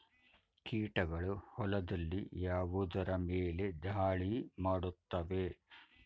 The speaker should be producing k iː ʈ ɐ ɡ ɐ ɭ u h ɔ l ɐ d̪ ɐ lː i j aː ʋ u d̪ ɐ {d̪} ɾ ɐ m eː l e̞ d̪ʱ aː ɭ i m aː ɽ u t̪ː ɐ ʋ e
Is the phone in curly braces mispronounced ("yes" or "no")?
yes